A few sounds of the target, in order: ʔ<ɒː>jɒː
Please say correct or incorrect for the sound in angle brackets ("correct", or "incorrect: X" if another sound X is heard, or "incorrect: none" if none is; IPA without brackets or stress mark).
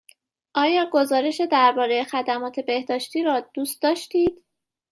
correct